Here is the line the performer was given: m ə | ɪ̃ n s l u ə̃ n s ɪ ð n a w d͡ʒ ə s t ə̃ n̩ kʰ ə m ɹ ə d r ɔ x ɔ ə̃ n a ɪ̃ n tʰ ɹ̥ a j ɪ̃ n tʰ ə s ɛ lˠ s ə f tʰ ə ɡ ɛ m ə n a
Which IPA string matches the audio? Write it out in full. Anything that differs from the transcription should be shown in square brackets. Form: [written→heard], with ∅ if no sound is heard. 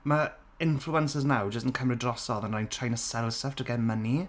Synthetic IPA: m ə | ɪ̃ n [s→f] l u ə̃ n s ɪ [ð→z] n a w d͡ʒ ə s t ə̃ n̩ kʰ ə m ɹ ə d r ɔ [x→s] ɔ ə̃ n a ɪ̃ n tʰ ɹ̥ a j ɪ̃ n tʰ ə s ɛ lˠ s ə f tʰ ə ɡ ɛ m ə n [a→i]